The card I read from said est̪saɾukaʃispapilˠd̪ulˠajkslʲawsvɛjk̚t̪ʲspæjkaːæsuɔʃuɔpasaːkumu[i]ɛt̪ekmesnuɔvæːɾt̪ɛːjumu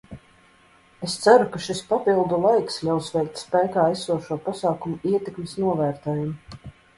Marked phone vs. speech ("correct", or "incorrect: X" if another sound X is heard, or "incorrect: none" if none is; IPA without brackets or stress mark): correct